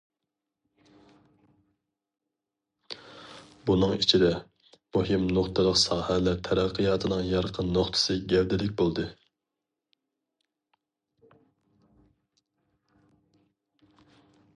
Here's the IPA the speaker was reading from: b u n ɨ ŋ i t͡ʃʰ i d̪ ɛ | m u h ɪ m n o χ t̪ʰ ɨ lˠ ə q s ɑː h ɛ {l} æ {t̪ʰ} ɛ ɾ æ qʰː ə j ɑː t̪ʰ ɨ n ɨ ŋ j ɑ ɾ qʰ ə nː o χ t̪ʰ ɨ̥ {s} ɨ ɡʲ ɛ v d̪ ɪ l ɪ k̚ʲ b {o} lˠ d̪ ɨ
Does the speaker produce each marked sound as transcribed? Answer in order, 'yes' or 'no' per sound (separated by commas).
yes, yes, yes, yes